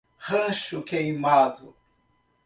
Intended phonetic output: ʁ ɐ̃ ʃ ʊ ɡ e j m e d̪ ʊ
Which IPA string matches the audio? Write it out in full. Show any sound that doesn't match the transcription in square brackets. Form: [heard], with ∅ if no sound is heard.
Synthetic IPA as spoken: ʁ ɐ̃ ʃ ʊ [k] e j m [a] d̪ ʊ